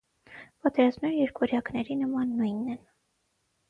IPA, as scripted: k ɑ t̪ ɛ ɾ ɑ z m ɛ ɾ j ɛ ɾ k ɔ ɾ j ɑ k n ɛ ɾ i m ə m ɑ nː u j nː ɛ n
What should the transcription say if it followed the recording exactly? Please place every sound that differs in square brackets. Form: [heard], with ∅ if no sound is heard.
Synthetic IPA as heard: [p] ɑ t̪ ɛ ɾ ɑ z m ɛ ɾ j ɛ ɾ k ɔ ɾ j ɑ k n ɛ ɾ i [n] ə m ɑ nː u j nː ɛ n